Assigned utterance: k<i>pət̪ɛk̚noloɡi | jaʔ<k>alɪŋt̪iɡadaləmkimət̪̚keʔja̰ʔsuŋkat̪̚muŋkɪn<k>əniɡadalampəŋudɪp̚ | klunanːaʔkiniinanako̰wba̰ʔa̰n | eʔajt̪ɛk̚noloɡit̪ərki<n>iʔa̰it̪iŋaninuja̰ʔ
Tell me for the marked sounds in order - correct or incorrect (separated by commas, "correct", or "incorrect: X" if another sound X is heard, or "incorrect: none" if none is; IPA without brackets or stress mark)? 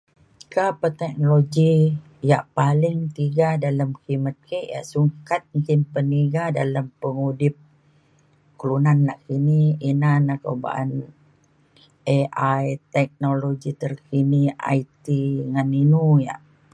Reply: incorrect: a, incorrect: p, incorrect: p, correct